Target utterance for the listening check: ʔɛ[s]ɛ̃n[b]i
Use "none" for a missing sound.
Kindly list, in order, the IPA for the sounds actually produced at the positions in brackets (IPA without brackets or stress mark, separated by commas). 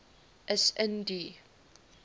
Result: s, d